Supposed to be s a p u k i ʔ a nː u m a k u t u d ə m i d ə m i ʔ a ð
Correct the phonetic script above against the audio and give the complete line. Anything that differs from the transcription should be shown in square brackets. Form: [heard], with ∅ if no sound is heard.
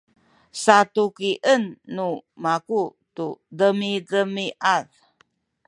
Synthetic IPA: s a [t] u k i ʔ [ə] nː u m a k u t u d ə m i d ə m i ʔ a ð